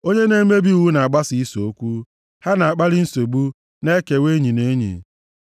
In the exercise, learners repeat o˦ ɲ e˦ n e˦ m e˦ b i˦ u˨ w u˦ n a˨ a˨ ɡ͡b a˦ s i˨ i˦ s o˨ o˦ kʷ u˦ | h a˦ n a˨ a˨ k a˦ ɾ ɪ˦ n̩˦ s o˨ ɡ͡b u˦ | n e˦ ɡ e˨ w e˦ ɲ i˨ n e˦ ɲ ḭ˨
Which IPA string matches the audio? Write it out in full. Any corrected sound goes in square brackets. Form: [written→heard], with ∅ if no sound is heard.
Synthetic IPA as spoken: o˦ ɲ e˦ n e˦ m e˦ b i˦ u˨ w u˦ n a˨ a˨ ɡ͡b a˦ s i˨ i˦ s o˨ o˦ kʷ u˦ | h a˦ n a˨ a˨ [k→k͡p] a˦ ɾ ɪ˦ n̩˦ s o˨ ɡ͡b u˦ | n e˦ [ɡ→k] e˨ w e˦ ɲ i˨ n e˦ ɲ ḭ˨

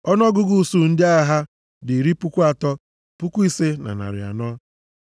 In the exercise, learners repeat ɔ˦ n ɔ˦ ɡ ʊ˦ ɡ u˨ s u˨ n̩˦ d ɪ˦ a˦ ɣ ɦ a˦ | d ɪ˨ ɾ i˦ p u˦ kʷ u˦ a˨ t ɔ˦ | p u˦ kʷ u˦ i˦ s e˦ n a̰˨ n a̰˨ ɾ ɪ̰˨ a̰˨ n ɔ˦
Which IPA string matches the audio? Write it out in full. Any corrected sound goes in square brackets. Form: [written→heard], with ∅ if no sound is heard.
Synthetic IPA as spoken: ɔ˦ n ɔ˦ ɡ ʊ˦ ɡ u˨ s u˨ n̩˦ d ɪ˦ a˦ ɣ ɦ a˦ | d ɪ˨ ɾ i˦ p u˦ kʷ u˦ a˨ t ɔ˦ | p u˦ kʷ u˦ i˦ s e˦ n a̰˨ n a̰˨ ɾ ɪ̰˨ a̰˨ n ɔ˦

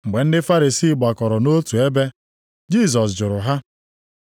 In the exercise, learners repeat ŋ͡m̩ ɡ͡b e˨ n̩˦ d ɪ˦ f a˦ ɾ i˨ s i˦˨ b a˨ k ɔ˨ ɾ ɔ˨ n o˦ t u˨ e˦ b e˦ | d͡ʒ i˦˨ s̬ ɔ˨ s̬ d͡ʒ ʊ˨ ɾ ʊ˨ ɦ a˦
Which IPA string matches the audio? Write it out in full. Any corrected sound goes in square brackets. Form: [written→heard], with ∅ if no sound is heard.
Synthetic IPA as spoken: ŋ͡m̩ ɡ͡b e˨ n̩˦ d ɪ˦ f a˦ ɾ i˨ s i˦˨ [b→ɡ͡b] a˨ k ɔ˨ ɾ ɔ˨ n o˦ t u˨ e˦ b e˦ | d͡ʒ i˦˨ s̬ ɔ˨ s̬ d͡ʒ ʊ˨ ɾ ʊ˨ ɦ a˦

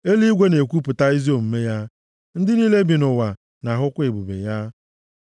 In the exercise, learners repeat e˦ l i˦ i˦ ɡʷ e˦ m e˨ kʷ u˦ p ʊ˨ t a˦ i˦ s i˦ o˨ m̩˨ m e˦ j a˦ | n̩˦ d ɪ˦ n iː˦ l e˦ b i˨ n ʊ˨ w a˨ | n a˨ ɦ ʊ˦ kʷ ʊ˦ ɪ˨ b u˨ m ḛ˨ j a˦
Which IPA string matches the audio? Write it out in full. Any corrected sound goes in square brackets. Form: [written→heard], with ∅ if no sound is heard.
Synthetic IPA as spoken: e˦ l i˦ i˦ ɡʷ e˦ [m→n] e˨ kʷ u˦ p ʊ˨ t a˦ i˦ [s→z] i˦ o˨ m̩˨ m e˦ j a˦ | n̩˦ d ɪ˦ n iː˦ l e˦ b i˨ n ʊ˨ w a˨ | n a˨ ɦ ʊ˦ kʷ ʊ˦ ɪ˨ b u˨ [m→b] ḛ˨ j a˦

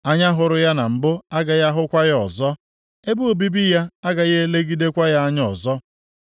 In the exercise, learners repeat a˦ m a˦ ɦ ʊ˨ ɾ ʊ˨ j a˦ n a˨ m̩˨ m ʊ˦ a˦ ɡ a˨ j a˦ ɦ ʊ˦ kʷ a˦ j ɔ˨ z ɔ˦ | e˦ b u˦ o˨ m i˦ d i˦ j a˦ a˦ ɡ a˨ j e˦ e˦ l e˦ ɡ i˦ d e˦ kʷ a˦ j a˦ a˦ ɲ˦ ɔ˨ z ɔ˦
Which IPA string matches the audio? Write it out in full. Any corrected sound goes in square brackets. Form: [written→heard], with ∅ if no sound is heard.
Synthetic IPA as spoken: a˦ [m→ɲ] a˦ ɦ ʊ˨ ɾ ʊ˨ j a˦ n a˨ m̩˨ [m→b] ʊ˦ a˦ ɡ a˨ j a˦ ɦ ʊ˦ kʷ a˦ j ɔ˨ z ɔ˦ | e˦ b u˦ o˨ [m→b] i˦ [d→b] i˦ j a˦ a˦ ɡ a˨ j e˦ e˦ l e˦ ɡ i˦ d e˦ kʷ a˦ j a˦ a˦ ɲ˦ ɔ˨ z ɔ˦

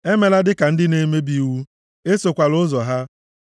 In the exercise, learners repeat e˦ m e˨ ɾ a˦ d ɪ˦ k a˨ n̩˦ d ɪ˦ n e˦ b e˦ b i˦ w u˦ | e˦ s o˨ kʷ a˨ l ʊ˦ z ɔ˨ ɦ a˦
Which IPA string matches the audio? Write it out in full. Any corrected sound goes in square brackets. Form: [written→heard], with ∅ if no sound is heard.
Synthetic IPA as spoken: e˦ m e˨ [ɾ→l] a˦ d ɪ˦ k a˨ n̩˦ d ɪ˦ n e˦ [b→m] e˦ b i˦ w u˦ | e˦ s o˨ kʷ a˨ l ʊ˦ z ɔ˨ ɦ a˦

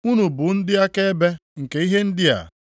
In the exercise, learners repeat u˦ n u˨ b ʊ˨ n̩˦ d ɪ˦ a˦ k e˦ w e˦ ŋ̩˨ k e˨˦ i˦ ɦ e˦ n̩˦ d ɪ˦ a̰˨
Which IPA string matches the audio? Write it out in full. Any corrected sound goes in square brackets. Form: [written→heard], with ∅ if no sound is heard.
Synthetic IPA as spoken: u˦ n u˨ b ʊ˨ n̩˦ d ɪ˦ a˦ k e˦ [w→b] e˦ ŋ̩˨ k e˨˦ i˦ ɦ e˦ n̩˦ d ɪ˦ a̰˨

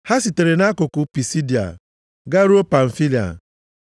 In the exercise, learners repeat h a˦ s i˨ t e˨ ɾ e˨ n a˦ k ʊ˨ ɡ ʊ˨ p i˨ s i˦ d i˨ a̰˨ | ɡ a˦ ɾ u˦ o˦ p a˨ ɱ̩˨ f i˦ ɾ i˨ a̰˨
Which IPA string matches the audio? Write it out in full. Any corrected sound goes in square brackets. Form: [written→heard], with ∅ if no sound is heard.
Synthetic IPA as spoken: h a˦ s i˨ t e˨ ɾ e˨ n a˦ k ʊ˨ [ɡ→k] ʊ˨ p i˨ s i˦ d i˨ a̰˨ | ɡ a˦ ɾ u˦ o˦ p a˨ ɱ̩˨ f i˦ [ɾ→l] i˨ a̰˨

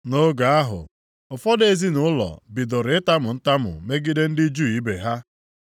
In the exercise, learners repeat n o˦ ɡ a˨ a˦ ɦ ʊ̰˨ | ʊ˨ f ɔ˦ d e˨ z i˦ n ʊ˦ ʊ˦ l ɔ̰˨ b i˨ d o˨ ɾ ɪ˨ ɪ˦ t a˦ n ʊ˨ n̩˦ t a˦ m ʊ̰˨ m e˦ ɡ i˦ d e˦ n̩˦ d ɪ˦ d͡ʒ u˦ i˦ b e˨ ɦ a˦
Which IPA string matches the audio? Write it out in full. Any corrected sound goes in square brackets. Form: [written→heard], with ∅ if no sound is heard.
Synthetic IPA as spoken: n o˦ ɡ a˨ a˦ ɦ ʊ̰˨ | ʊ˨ f ɔ˦ d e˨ z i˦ n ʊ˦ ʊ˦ l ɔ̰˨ b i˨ d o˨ ɾ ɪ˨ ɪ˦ t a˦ [n→m] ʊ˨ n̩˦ t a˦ m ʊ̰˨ m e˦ ɡ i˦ d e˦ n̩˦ d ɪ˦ d͡ʒ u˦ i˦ b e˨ ɦ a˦

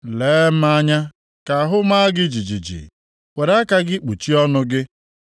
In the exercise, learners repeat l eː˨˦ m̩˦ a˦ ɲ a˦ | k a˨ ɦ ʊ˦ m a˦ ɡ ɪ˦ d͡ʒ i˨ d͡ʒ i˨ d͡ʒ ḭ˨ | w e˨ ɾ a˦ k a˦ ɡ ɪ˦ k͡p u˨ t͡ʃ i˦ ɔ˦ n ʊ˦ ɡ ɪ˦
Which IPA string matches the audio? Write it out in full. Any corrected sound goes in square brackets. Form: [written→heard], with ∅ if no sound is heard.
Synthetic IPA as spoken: l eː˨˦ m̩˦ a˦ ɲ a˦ | k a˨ ɦ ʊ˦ m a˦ ɡ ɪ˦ d͡ʒ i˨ d͡ʒ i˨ d͡ʒ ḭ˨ | w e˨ ɾ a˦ k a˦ ɡ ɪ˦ k͡p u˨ t͡ʃ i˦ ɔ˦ n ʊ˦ ɡ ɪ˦

